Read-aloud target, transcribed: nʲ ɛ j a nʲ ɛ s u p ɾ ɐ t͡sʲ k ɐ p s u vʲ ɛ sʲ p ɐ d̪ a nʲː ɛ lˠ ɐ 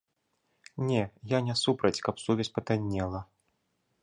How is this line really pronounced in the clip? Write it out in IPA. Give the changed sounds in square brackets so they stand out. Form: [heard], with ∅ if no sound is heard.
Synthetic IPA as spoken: nʲ ɛ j a nʲ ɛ s u p ɾ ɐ t͡sʲ k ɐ p s u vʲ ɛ sʲ p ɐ [t̪] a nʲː ɛ lˠ ɐ